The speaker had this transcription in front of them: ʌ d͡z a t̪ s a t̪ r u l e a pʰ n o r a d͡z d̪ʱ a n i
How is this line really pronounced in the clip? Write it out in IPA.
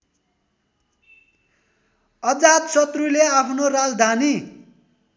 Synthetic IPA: ʌ d͡z a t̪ s ʌ t̪ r u l e a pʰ n o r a d͡z d̪ʱ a n i